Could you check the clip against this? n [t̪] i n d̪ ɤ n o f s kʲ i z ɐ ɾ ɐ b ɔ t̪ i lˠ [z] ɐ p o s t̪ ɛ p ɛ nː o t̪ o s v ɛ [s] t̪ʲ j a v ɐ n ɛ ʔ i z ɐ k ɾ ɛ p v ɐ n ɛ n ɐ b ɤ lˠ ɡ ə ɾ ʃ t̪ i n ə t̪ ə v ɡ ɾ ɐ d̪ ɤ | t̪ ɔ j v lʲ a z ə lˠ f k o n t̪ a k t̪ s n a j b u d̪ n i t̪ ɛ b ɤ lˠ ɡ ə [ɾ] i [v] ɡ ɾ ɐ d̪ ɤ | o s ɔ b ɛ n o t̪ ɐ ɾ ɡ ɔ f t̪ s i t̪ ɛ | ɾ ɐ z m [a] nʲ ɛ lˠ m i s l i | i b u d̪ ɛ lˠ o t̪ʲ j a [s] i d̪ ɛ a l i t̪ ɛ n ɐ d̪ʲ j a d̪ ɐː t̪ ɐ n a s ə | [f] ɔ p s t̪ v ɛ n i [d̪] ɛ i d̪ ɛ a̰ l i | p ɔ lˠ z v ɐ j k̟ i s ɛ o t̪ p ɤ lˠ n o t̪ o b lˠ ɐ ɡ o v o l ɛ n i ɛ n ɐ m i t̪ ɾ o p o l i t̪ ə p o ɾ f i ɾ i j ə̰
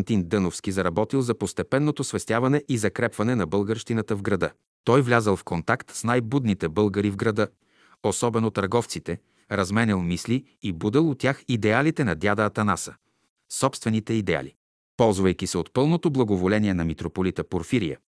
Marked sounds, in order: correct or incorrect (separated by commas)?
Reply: correct, correct, correct, correct, correct, incorrect, incorrect, incorrect, incorrect